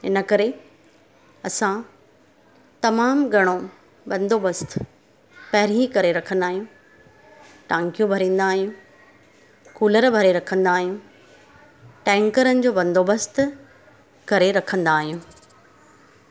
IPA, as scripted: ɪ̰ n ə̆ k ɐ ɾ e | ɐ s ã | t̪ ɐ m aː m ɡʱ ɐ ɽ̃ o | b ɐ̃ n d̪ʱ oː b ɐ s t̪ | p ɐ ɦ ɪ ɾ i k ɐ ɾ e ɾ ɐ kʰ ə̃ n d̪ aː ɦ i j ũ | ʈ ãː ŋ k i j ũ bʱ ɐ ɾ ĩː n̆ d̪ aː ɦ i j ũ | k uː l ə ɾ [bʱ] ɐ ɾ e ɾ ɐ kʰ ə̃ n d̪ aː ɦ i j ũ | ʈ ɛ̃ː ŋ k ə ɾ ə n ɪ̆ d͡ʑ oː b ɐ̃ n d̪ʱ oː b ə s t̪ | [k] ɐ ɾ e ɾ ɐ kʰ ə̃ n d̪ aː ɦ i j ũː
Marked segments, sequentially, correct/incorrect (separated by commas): correct, correct